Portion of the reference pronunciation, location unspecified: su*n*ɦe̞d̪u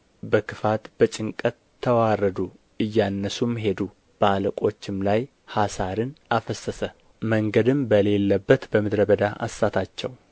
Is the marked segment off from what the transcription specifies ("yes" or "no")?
yes